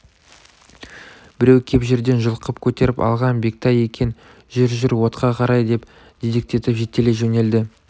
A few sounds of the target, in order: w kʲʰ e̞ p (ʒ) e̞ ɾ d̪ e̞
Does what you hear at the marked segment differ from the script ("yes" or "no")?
no